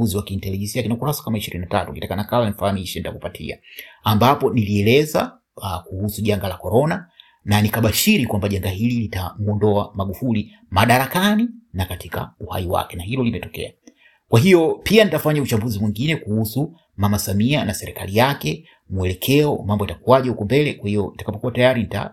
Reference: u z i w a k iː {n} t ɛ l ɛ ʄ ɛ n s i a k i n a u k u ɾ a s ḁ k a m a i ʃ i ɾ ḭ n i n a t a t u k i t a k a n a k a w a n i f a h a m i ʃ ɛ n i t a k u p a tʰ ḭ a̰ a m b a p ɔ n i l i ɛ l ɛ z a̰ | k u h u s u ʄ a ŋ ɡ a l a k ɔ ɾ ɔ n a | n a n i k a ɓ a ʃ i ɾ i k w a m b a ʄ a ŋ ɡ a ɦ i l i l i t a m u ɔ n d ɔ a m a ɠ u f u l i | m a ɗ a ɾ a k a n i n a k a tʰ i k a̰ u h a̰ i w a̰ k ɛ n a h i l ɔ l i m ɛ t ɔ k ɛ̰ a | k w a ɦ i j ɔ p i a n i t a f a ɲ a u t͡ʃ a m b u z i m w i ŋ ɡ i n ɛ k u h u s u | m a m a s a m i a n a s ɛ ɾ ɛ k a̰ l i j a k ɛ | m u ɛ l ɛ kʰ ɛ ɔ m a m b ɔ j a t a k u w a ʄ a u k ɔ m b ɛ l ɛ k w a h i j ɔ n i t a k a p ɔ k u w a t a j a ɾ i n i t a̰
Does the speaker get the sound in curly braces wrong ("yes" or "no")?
no